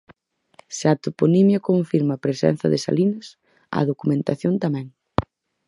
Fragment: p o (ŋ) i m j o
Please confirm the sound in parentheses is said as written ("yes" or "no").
no